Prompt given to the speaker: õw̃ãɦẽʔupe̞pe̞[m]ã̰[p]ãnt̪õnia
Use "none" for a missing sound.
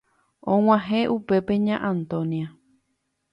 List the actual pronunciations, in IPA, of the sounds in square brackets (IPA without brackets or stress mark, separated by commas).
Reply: ɲ, ʔ